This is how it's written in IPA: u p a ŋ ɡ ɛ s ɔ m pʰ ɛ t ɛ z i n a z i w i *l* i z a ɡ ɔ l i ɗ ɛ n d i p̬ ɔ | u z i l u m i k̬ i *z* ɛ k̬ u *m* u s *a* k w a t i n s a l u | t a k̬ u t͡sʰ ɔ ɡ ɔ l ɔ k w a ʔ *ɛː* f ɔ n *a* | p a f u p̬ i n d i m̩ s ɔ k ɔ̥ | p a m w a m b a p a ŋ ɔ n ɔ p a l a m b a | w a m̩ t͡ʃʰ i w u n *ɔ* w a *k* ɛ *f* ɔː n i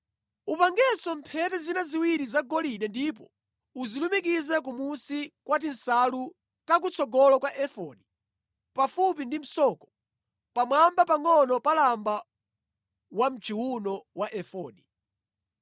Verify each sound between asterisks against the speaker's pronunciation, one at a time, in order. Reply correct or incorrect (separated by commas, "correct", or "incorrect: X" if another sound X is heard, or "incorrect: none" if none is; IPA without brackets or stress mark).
incorrect: ɾ, correct, correct, incorrect: i, incorrect: ɛ, incorrect: i, correct, incorrect: ʔ, correct